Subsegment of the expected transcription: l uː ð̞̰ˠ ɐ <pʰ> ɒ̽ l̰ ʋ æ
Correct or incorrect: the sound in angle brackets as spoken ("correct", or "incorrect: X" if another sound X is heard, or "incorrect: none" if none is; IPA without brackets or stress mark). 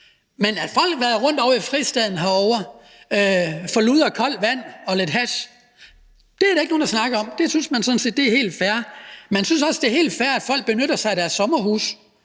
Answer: incorrect: kʰ